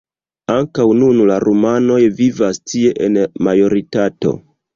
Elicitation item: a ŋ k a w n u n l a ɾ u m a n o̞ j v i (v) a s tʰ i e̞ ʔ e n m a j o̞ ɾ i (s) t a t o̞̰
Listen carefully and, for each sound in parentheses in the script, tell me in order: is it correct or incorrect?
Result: correct, incorrect: none

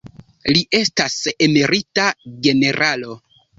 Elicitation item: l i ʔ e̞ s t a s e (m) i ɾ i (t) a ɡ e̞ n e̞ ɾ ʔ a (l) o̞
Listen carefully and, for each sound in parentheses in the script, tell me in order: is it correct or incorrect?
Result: correct, correct, correct

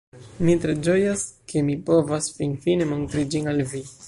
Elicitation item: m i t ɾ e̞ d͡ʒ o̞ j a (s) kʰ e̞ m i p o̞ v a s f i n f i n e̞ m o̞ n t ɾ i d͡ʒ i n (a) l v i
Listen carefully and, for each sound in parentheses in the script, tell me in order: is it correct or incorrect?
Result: correct, correct

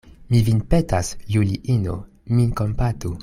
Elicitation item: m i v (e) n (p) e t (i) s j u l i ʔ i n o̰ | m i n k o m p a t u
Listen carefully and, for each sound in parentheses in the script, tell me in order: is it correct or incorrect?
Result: incorrect: i, correct, incorrect: a

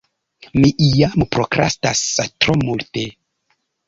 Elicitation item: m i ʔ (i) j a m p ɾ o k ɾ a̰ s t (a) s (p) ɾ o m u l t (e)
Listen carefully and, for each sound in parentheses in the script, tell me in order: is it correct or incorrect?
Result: correct, correct, incorrect: t, correct

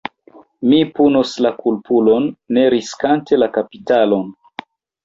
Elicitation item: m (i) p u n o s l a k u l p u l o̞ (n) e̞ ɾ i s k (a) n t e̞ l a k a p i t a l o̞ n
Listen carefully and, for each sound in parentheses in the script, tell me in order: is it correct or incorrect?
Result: correct, incorrect: nː, correct

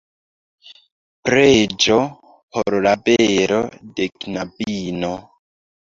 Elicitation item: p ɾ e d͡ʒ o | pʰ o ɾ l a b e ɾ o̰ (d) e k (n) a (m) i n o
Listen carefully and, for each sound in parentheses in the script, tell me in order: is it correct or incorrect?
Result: correct, correct, incorrect: b

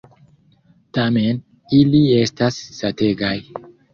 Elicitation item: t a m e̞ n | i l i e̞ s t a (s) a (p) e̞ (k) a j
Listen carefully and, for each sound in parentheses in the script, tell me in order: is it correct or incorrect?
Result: incorrect: sː, incorrect: t, incorrect: ɡ

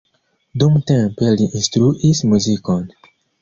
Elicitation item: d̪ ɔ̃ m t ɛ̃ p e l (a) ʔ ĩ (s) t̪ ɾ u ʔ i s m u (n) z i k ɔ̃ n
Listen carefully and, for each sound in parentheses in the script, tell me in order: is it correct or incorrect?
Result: incorrect: i, correct, incorrect: none

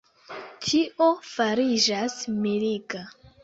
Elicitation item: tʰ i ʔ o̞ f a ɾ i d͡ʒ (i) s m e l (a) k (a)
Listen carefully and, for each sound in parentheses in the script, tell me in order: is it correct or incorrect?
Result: incorrect: a, incorrect: i, correct

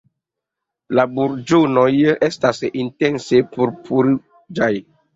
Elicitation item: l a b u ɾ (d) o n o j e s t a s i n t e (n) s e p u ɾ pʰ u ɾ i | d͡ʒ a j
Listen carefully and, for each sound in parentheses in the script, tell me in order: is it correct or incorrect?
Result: incorrect: d͡ʒ, correct

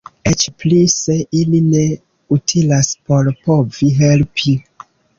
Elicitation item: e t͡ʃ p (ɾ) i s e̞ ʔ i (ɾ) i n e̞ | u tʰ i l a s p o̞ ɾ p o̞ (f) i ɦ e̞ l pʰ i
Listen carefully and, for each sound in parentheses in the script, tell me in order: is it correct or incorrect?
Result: incorrect: l, incorrect: l, incorrect: v

